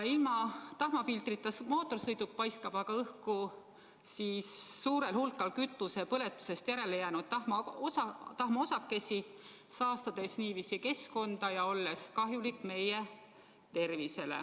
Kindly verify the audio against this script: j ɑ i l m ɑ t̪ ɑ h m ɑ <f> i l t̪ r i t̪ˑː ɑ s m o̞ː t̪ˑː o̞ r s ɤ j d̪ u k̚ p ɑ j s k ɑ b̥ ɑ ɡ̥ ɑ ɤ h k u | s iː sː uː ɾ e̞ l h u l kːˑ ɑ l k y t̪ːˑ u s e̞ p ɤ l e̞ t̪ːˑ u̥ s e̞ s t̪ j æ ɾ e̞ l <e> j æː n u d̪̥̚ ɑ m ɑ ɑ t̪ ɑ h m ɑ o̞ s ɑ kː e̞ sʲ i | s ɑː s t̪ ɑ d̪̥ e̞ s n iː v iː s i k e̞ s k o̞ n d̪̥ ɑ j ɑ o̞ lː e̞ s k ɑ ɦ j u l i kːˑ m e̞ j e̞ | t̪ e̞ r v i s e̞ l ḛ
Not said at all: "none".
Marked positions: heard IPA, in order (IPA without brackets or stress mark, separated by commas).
f, e